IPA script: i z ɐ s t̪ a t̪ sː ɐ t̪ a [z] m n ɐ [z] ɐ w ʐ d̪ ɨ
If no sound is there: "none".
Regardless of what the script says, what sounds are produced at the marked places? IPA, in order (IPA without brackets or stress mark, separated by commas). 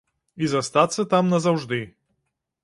none, z